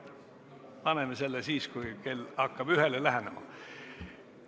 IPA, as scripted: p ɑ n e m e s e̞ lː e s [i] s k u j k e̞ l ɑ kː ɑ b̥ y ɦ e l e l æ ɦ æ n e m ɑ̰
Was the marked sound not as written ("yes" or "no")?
yes